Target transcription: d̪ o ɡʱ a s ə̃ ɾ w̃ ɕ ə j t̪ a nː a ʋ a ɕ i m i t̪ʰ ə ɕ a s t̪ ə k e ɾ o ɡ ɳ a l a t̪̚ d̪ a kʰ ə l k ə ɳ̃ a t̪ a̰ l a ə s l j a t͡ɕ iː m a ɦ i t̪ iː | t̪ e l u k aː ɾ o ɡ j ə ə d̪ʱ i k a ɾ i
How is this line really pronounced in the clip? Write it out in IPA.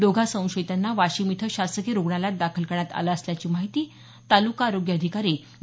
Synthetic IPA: d̪ o ɡʱ a s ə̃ w̃ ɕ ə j t̪ a nː a ʋ a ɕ i m i t̪ʰ ə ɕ a s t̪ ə k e ɾ o ɡ ɳ a l a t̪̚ d̪ a kʰ ə l k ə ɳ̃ a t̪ a̰ l a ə s l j a t͡ɕ iː m a ɦ i t̪ iː | t̪ a l u k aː ɾ o ɡ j ə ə d̪ʱ i k a ɾ i